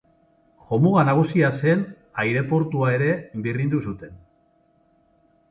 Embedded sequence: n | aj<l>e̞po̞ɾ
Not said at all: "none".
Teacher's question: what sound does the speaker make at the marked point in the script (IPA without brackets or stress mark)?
ɾ